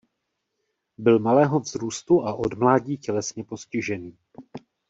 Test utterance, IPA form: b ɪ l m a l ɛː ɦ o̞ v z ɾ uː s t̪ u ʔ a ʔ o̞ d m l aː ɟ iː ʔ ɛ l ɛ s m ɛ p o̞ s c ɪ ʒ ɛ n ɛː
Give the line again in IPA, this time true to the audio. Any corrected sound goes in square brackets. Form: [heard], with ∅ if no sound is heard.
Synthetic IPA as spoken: b ɪ l m a l ɛː ɦ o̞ v z ɾ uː s t̪ u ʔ a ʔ o̞ d m l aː ɟ iː [c] ɛ l ɛ s [ɲ] ɛ p o̞ s c ɪ ʒ ɛ n [iː]